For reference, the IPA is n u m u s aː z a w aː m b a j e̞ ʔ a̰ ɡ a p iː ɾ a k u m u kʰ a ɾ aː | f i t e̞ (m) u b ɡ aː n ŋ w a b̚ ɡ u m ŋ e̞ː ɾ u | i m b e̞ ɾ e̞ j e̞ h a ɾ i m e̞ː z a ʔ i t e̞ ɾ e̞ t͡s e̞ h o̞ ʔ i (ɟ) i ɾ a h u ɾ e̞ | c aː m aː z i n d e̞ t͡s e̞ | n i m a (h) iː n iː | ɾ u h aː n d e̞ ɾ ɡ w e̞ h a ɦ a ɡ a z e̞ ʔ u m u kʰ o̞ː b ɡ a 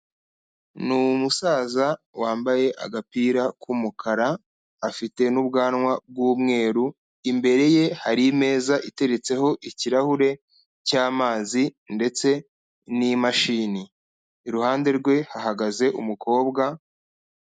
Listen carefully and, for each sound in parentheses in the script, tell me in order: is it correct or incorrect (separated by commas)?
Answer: incorrect, incorrect, incorrect